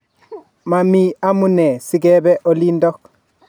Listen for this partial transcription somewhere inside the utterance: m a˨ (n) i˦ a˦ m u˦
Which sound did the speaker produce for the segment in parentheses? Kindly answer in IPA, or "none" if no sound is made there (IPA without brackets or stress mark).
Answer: m